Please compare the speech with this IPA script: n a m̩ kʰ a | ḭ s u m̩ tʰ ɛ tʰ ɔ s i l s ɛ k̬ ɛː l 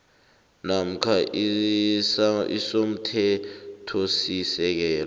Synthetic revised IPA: n a m̩ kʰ a | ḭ s o m̩ tʰ ɛ tʰ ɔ s i s ɛ k̬ ɛː l